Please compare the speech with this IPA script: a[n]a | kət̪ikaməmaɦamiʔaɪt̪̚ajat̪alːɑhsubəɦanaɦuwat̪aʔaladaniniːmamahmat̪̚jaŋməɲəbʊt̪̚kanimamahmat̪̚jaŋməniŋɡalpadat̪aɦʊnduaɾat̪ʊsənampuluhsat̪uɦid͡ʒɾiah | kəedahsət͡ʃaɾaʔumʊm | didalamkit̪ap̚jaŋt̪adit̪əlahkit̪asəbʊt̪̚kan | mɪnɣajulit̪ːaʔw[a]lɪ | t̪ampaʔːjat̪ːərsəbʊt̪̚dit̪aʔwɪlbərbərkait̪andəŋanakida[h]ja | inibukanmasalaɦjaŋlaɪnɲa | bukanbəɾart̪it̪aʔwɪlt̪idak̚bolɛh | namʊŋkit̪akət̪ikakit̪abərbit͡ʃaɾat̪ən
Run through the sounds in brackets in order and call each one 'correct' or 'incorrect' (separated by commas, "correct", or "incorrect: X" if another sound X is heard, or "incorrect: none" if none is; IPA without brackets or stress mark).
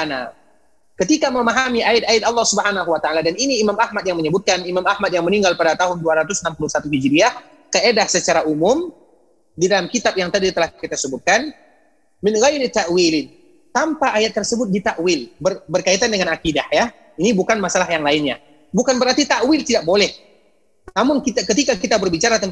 correct, incorrect: i, correct